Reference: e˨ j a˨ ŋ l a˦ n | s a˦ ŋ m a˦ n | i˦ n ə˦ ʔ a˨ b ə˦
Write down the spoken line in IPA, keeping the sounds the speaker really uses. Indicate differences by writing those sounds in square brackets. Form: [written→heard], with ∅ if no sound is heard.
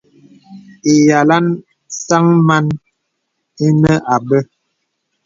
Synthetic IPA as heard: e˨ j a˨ [ŋ→∅] l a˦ n | s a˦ ŋ m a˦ n | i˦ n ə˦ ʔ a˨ b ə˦